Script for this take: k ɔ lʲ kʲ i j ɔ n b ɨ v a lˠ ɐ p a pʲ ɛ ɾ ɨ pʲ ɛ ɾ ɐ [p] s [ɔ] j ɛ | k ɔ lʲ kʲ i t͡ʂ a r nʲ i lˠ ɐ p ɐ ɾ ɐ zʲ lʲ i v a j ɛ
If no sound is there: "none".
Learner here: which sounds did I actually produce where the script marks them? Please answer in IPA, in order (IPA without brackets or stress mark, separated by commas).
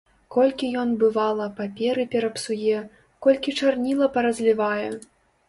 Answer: p, u